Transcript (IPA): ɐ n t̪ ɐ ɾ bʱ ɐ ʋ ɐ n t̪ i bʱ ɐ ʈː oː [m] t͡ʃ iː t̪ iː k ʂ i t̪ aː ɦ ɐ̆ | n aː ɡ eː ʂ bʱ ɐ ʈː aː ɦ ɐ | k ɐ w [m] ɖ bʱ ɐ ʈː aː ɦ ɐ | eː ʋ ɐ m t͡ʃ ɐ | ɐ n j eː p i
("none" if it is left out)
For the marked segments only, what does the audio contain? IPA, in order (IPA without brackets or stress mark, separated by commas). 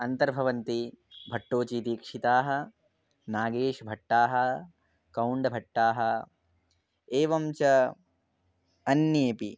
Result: none, ɳ